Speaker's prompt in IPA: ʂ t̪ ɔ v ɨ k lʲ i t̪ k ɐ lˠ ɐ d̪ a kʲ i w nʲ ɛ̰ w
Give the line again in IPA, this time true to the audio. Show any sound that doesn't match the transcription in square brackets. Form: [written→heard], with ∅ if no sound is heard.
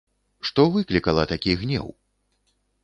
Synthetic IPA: ʂ t̪ ɔ v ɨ k lʲ i [t̪→∅] k ɐ lˠ ɐ [d̪→t̪] a kʲ i [w→ɣ] nʲ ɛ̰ w